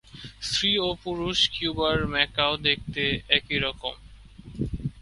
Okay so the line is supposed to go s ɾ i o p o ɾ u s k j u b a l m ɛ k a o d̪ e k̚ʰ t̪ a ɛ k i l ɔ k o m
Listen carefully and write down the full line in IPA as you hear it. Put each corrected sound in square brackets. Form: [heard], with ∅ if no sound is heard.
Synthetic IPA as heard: s ɾ i o p [u] ɾ u [ʃ] k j u b a [ɾ] m ɛ k a o d̪ e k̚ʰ t̪ [e] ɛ k i [ɾ] ɔ k o m